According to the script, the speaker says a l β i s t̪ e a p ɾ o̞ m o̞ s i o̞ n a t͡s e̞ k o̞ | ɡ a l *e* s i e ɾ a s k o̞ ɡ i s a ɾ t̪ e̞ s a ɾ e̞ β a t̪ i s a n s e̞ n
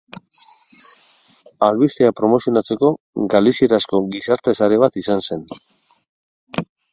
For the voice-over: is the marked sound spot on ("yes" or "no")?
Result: no